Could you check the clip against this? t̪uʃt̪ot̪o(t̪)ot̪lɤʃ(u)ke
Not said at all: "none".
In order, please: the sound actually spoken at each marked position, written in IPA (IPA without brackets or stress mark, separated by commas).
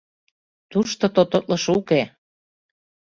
t̪, u